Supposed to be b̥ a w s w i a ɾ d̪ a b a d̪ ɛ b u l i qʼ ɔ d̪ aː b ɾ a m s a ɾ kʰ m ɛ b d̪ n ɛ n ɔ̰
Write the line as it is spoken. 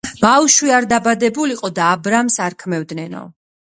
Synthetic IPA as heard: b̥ a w ʃ w i a ɾ d̪ a b a d̪ ɛ b u l i qʼ ɔ d̪ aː b ɾ a m s a ɾ kʰ m ɛ v d̪ n ɛ n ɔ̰